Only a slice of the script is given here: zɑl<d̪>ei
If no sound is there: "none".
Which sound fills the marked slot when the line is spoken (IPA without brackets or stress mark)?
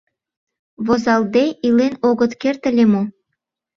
d̪